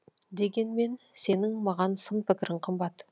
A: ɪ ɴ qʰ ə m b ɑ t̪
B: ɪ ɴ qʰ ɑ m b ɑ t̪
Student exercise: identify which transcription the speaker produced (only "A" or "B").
A